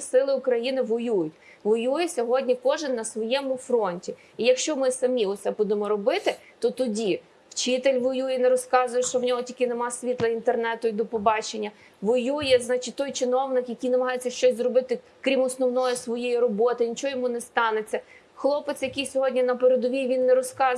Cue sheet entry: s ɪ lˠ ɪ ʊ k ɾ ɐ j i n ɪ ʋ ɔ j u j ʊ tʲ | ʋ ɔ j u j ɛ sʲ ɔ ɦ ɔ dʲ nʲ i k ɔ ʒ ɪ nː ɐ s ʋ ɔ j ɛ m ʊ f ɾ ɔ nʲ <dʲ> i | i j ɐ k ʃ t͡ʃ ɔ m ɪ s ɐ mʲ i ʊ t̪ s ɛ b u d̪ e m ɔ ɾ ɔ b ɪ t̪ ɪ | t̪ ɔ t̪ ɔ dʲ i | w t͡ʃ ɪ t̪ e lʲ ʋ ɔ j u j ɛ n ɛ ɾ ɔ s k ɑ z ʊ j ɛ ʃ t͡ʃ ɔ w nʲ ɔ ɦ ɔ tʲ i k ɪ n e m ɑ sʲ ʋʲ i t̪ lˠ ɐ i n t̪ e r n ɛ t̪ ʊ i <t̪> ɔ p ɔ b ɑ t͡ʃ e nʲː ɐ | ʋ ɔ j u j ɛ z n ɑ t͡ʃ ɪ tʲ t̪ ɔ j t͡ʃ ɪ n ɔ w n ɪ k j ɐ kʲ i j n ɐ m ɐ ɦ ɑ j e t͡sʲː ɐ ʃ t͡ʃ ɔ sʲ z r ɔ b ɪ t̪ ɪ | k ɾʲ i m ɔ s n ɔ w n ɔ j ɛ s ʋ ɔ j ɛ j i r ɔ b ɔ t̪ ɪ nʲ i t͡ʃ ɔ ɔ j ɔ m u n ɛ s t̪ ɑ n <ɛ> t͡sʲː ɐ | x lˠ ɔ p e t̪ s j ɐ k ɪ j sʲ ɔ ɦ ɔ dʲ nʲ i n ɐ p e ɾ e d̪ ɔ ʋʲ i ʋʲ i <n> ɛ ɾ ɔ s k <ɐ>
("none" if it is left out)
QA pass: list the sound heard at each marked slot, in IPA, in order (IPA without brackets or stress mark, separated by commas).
tʲ, d̪, e, nː, ɑ